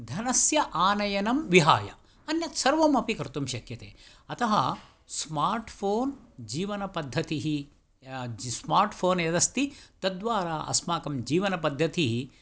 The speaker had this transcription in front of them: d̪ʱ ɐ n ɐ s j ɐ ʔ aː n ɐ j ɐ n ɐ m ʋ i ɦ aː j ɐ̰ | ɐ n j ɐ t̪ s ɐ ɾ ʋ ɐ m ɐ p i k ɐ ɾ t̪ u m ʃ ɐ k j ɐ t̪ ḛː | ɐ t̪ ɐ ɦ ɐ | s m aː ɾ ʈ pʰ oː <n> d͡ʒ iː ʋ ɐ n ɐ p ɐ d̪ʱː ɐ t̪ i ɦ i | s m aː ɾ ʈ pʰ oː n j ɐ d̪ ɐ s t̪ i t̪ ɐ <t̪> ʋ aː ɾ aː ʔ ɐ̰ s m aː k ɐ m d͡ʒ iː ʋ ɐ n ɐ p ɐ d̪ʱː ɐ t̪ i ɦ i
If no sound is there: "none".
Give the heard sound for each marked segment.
n, d̪

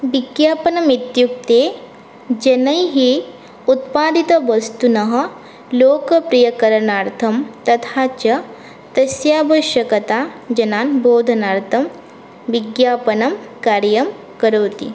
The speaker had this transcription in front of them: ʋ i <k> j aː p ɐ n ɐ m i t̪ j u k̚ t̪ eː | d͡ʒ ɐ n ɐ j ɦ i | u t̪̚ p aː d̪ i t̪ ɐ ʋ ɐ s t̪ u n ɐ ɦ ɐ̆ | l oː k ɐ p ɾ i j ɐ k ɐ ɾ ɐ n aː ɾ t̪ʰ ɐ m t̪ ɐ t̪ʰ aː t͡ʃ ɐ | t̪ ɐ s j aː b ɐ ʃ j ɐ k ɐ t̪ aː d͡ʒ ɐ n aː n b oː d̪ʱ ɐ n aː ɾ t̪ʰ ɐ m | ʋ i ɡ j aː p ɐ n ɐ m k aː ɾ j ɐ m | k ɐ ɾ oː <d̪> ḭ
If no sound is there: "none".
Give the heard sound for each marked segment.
ɡ, t̪

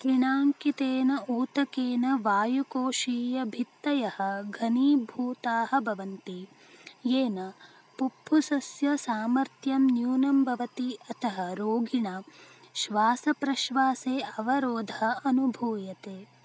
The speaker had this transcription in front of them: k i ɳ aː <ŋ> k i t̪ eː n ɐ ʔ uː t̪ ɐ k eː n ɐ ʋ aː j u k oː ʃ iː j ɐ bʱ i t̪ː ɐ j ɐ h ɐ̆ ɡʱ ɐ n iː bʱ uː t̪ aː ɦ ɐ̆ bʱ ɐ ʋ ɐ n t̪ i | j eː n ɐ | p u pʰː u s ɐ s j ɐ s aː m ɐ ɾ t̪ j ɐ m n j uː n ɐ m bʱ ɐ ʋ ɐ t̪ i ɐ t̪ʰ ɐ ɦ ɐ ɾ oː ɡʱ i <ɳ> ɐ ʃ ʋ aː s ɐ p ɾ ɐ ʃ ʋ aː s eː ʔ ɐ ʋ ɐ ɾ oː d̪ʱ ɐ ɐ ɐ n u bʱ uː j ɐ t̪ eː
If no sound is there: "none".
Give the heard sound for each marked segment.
ŋ, ɳ

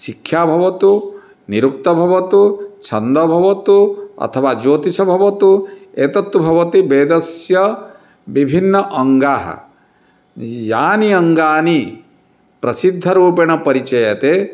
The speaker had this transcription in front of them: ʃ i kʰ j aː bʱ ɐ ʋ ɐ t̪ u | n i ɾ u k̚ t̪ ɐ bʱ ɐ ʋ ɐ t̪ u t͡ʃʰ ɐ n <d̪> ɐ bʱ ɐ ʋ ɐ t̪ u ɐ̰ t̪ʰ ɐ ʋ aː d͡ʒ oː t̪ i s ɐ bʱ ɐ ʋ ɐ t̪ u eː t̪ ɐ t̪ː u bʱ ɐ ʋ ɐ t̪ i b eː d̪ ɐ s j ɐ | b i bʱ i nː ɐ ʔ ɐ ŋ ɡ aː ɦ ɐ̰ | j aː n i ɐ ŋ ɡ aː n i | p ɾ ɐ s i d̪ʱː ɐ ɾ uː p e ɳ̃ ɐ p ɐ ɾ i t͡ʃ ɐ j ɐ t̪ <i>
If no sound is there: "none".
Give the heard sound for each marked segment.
d̪, e

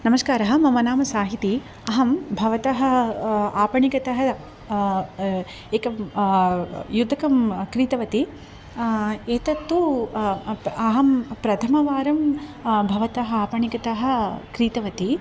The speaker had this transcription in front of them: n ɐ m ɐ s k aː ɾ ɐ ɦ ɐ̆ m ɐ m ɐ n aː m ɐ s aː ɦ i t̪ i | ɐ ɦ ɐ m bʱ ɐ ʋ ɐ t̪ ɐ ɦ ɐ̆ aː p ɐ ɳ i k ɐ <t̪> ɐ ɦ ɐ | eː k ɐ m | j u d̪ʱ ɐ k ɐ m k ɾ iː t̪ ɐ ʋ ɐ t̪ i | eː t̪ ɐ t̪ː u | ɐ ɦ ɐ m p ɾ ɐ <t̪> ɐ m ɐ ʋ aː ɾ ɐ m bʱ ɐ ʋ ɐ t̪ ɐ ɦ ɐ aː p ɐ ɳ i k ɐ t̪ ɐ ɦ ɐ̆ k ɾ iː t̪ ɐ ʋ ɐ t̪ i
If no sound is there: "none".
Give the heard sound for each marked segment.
t̪, t̪ʰ

